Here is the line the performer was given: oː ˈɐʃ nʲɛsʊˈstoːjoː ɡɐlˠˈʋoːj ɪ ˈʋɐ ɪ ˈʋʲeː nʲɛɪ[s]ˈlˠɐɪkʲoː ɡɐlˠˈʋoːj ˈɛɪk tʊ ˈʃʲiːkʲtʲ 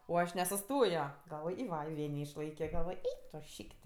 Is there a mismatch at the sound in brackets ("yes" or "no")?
yes